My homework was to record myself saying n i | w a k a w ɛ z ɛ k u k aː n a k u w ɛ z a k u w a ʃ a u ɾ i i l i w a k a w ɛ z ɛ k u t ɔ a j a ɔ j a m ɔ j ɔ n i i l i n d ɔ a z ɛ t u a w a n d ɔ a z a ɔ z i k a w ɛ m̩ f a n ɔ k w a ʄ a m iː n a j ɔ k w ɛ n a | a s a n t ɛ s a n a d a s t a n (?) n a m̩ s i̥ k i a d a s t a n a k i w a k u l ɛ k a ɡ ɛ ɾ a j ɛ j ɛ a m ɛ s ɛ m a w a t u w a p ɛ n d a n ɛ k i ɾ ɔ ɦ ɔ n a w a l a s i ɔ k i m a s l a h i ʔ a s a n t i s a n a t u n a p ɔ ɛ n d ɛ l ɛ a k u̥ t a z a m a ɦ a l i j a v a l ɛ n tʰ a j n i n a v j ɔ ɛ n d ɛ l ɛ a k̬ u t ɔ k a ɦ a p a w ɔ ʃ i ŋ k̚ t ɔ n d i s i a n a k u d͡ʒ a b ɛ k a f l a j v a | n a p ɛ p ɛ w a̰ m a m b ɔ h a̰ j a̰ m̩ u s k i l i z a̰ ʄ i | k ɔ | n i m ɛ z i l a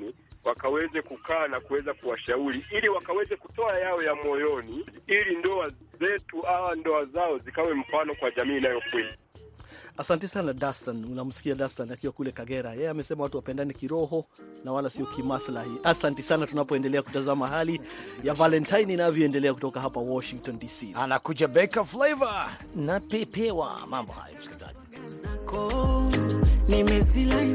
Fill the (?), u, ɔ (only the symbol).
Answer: u